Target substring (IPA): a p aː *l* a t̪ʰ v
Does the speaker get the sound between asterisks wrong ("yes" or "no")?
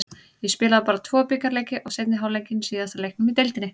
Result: yes